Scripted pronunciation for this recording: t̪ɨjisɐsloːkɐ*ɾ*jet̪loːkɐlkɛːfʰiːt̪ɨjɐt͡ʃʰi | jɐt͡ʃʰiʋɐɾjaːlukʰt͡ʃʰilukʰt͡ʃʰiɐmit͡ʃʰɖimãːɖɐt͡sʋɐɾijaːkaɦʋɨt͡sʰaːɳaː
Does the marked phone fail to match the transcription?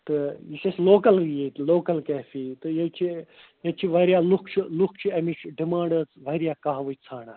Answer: yes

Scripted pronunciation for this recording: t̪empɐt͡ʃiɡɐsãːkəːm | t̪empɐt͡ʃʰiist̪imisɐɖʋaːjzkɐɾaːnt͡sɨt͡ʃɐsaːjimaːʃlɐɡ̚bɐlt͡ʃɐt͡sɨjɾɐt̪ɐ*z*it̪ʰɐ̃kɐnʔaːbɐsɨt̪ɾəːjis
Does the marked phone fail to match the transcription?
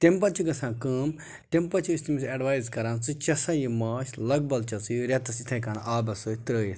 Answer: yes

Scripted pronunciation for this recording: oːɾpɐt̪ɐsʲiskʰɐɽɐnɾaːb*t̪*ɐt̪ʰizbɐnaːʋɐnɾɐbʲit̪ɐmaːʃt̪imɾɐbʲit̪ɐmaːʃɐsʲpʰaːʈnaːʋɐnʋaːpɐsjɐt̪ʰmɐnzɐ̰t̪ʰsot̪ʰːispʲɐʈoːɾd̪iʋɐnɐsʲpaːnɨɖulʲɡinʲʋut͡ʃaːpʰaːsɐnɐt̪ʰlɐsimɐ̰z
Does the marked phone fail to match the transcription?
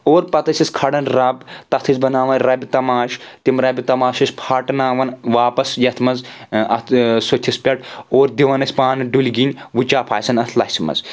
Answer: no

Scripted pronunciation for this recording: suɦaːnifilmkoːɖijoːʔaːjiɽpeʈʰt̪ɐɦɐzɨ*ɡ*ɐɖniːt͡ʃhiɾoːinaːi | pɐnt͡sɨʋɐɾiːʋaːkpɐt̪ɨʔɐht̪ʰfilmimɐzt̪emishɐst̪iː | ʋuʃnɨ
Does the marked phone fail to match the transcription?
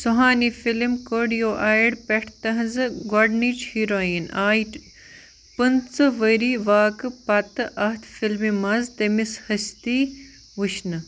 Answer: no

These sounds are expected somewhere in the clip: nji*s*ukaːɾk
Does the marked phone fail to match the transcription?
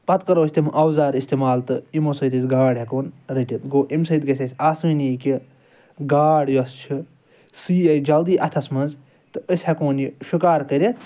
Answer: yes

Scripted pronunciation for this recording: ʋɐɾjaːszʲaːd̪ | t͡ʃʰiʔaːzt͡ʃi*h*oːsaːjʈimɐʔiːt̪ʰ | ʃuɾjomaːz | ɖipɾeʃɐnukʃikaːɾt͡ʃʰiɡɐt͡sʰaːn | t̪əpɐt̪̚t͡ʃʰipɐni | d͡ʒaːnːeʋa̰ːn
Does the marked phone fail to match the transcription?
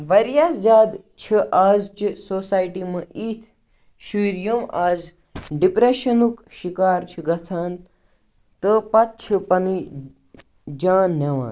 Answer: yes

